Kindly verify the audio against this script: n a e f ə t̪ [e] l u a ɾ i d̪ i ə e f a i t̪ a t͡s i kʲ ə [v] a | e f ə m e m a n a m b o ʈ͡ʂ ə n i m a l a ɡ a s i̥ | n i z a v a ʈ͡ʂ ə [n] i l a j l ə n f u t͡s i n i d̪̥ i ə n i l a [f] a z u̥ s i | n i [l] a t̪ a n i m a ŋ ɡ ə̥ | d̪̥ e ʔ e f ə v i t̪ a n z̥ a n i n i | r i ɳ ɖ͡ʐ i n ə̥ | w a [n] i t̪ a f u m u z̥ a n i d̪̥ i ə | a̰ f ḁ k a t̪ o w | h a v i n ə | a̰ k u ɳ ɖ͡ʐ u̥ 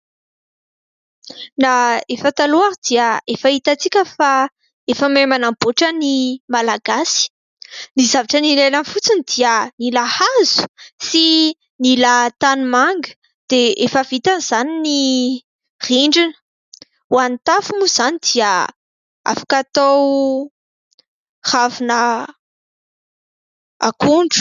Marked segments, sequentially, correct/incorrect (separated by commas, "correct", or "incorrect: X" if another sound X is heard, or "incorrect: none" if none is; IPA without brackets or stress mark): incorrect: a, incorrect: f, correct, incorrect: h, correct, correct